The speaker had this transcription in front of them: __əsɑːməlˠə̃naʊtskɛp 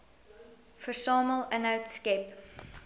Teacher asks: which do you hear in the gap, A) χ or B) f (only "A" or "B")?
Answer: B